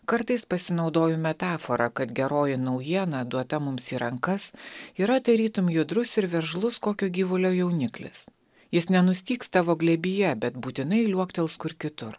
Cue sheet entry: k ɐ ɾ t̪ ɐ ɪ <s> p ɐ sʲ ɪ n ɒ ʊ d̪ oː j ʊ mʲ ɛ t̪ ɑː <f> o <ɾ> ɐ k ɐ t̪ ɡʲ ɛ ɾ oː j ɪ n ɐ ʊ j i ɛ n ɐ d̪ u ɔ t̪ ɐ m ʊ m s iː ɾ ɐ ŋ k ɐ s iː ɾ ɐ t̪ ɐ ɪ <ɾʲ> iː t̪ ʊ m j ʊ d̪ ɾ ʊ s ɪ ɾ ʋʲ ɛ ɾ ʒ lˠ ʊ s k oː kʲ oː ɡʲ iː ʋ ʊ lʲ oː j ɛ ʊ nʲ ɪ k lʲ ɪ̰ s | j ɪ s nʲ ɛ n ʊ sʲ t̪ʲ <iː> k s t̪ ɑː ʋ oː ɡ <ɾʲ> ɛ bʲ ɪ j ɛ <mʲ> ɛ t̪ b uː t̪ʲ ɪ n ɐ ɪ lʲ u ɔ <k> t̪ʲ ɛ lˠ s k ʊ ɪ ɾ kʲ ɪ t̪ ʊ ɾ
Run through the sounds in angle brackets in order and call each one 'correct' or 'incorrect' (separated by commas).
correct, correct, correct, correct, correct, incorrect, incorrect, correct